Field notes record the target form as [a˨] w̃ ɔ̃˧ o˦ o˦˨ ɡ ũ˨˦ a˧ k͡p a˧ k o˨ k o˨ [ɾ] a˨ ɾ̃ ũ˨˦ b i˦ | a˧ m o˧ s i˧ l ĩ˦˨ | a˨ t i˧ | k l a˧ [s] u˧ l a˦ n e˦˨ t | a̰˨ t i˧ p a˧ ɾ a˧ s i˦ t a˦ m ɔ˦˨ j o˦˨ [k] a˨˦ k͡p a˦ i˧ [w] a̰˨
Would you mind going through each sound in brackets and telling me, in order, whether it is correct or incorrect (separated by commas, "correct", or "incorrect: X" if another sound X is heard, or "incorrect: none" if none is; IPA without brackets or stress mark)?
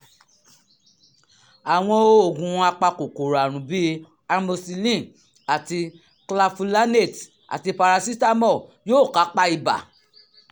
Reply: correct, correct, incorrect: f, correct, incorrect: b